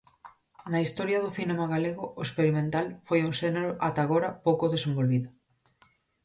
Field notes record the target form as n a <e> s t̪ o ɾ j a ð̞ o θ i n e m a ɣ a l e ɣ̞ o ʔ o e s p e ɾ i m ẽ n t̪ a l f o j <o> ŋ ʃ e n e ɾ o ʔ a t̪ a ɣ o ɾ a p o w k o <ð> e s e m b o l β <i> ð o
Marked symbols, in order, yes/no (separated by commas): no, no, yes, yes